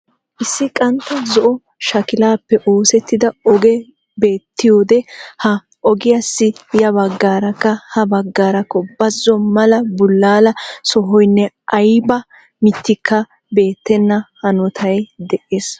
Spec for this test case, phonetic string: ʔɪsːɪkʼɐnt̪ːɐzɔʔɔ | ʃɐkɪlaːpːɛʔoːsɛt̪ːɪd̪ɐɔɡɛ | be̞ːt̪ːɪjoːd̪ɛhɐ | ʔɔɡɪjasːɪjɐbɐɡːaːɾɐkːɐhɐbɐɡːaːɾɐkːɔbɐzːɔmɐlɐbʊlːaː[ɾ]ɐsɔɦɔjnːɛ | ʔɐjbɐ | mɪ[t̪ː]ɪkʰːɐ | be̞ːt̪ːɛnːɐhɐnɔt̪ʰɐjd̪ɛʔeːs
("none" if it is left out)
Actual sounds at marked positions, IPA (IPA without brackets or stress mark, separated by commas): l, t̪ː